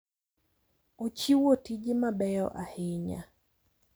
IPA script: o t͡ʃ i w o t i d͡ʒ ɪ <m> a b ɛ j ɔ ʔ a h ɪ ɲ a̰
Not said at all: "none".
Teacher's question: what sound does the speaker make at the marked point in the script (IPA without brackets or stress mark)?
m